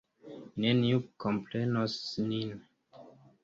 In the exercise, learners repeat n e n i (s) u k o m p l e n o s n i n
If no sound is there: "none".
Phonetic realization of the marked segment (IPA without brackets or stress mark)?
none